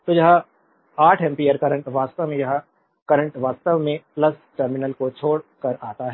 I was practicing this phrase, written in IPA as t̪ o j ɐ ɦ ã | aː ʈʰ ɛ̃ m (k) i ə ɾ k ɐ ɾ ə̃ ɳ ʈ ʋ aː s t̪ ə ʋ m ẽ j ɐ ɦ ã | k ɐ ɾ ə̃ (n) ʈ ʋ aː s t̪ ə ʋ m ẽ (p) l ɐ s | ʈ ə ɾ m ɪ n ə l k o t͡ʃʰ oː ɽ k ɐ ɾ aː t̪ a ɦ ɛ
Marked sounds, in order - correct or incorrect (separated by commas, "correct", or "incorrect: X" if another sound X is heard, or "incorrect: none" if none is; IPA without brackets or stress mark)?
incorrect: p, incorrect: ɳ, correct